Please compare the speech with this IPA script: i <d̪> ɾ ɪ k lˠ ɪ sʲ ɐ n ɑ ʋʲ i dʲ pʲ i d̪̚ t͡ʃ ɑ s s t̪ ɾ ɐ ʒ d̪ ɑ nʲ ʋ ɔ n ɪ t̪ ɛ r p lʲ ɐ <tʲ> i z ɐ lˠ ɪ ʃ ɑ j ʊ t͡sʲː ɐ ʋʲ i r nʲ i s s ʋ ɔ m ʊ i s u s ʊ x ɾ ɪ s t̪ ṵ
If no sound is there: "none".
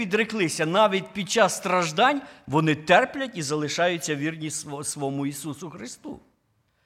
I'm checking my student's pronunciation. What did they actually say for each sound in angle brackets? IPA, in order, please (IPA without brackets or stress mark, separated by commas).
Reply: d̪, tʲ